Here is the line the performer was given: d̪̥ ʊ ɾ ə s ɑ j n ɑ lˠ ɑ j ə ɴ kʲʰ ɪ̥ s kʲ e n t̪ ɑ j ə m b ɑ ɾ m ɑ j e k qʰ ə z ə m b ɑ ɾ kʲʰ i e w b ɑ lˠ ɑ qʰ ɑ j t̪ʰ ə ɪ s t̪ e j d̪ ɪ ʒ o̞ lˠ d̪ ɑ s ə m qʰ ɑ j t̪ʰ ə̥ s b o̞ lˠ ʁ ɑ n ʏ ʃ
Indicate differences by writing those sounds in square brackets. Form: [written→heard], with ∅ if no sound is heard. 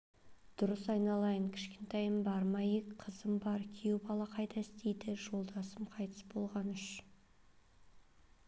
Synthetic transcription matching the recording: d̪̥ ʊ ɾ ə s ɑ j n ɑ lˠ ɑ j ə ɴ kʲʰ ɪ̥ [s→ʃ] kʲ e n t̪ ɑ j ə m b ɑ ɾ m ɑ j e k qʰ ə z ə m b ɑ ɾ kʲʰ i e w b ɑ lˠ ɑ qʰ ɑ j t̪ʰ [ə→ɑ] ɪ s t̪ e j d̪ ɪ ʒ o̞ lˠ d̪ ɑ s ə m qʰ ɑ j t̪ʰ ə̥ s b o̞ lˠ ʁ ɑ n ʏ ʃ